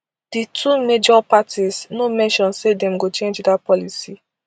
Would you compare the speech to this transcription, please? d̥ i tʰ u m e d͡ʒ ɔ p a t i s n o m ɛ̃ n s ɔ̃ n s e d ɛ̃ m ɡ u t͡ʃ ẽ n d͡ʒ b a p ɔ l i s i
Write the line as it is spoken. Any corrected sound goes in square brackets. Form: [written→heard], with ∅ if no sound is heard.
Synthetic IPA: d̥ i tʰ u m e d͡ʒ ɔ p a t i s n o m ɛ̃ n [s→ʃ] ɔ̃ n s e d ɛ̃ m ɡ [u→o] t͡ʃ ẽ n d͡ʒ [b→d] a p ɔ l i s i